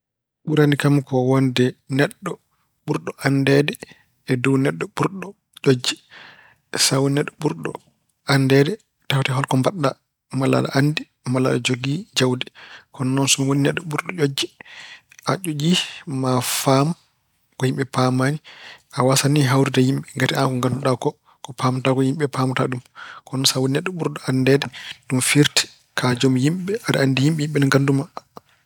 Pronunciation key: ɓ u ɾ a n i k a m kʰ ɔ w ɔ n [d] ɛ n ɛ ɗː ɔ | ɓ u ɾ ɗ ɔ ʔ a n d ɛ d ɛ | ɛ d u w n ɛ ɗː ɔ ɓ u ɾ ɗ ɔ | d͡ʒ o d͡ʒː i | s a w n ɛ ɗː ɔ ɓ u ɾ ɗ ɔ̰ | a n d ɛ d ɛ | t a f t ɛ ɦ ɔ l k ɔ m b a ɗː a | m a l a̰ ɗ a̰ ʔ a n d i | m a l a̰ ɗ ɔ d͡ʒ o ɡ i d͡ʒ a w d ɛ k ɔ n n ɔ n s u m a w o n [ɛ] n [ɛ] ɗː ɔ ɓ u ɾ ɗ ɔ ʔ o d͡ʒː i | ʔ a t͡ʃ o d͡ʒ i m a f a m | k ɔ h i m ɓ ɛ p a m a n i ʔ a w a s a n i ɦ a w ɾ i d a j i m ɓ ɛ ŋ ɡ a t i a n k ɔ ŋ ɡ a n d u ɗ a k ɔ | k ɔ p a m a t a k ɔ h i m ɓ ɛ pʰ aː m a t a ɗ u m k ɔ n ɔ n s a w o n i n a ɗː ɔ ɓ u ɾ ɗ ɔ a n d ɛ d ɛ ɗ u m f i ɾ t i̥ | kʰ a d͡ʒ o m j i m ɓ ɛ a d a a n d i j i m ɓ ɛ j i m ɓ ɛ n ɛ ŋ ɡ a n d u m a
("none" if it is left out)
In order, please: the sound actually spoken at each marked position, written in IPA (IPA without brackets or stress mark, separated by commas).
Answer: d, i, ɛ